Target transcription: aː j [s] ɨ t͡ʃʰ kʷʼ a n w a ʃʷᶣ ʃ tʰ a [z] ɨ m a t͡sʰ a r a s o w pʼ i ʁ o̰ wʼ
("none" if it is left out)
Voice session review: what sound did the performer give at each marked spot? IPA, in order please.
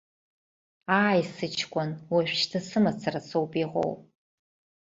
s, s

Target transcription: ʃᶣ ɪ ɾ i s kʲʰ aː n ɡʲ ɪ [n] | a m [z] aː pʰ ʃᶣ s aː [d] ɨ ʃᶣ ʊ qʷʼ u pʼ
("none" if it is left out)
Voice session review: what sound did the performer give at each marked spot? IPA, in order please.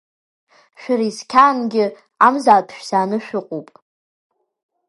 none, z, n

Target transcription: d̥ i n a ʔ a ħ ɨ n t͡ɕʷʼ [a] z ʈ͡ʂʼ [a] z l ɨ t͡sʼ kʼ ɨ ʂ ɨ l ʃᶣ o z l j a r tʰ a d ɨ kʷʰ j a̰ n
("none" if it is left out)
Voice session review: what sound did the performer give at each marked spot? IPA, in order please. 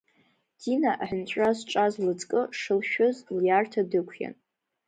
a, a

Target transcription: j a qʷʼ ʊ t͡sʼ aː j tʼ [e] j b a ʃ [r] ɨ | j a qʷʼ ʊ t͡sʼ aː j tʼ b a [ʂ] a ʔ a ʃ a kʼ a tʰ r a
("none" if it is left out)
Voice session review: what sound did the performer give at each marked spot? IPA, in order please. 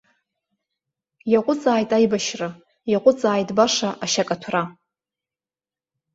a, r, ʂ

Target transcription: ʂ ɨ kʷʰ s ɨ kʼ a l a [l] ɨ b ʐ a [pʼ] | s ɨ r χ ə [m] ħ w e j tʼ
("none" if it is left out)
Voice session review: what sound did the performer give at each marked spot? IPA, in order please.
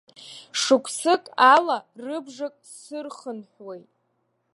r, kʼ, n

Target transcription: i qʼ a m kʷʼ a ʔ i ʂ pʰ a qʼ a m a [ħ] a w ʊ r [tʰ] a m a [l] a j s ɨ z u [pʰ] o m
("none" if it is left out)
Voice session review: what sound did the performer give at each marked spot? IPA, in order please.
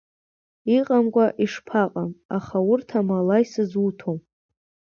χ, tʰ, l, tʰ

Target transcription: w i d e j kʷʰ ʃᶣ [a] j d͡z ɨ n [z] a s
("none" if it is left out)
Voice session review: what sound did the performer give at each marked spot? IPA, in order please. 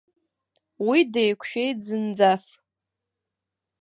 e, d͡z

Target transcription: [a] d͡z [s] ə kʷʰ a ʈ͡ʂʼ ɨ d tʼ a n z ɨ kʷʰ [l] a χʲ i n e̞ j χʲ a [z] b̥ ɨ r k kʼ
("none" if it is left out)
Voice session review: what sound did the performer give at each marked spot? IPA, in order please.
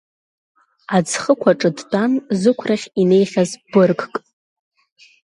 a, χ, r, z

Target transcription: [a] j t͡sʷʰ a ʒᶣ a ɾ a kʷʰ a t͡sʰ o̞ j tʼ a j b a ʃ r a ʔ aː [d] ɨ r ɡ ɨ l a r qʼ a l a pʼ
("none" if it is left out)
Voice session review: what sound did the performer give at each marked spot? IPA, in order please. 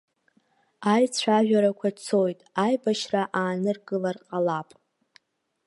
a, n

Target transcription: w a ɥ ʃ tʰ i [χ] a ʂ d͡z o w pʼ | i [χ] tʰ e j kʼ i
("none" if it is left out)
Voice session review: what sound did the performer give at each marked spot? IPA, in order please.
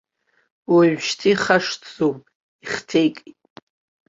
χ, χ

